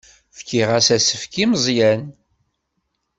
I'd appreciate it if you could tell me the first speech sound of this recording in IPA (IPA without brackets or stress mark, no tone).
f